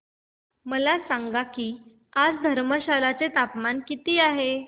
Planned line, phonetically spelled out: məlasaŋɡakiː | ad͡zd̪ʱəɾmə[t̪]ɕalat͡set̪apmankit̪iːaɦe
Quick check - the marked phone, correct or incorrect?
incorrect